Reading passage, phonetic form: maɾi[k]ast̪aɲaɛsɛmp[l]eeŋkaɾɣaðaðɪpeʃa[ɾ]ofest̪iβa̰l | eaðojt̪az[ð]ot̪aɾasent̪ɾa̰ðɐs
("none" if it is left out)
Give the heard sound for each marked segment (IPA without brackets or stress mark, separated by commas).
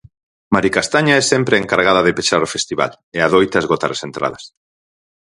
k, ɾ, ɾ, ɣ